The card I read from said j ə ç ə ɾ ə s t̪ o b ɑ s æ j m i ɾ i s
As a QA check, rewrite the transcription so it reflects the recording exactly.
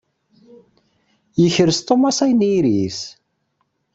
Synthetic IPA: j ə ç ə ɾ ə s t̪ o m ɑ s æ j n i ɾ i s